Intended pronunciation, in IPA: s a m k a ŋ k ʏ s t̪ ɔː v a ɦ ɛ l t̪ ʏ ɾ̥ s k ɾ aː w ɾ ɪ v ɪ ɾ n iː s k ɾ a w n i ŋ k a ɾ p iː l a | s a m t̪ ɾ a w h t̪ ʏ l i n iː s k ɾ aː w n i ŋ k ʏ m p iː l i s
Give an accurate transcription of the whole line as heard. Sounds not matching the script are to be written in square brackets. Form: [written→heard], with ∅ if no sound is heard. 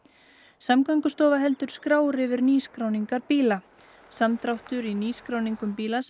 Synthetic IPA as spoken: s a m k a ŋ k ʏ s t̪ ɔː v a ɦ ɛ l t̪ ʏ ɾ̥ s k ɾ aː w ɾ ɪ v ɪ ɾ n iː s k ɾ a w n i ŋ k a ɾ p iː l a | s a m t̪ ɾ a w h t̪ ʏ [l→ɾ] i n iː s k ɾ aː w n i ŋ k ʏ m p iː l [i→a] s